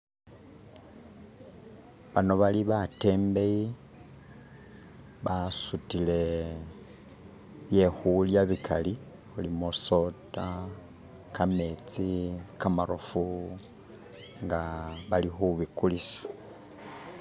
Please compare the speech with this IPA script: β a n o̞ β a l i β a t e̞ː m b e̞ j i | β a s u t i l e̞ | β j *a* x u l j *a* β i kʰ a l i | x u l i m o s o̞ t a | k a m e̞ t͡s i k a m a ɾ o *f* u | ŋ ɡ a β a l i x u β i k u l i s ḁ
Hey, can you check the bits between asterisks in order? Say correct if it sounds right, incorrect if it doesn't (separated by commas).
incorrect, correct, correct